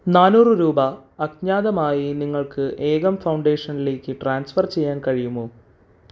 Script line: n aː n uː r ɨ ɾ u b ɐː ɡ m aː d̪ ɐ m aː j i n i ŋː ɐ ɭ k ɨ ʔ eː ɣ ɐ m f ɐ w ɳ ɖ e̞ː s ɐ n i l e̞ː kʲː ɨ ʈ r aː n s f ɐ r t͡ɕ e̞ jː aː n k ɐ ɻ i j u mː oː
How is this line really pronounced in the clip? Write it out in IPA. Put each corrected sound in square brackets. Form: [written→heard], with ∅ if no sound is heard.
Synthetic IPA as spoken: n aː n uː r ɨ ɾ [u→uː] b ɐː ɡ [m→ɲ] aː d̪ ɐ m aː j i n i ŋː ɐ ɭ k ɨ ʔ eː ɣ ɐ m f ɐ w ɳ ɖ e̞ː [s→ʂ] ɐ n i l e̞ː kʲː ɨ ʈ r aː n s f ɐ r t͡ɕ e̞ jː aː n k ɐ ɻ i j u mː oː